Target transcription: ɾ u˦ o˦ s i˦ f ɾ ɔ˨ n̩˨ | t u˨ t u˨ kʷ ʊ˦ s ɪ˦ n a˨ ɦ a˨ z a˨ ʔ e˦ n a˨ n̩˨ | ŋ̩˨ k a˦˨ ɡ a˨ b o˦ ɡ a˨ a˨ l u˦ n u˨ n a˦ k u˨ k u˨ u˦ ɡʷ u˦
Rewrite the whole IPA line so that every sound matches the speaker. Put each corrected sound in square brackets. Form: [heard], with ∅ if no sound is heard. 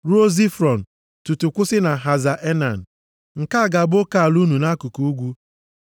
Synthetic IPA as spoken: ɾ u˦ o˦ [z] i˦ f ɾ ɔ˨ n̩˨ | t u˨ t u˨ kʷ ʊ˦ s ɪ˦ n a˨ ɦ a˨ z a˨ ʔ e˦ n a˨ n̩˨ | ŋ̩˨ k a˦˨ ɡ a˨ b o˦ [k] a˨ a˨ l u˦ n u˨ n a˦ k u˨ k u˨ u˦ ɡʷ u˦